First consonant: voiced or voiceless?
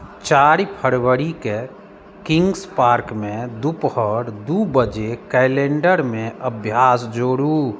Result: voiceless